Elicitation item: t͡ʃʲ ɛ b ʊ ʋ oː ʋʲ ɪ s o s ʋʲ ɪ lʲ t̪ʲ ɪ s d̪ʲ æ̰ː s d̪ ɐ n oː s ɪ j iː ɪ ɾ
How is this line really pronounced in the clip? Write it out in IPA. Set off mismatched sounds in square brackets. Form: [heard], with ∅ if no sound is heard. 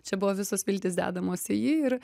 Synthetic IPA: t͡ʃʲ ɛ b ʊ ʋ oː ʋʲ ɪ s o s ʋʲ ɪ lʲ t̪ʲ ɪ s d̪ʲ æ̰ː [∅] d̪ ɐ [m] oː s ɪ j iː ɪ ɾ